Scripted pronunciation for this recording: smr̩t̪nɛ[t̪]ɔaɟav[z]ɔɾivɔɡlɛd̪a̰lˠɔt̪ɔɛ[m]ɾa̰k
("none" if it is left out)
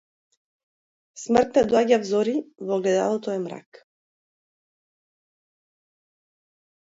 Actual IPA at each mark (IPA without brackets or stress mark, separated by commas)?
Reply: d̪, z, m